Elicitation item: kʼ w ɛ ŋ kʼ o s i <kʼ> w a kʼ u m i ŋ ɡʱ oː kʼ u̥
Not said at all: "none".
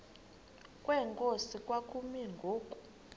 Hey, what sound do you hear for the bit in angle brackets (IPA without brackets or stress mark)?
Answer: kʼ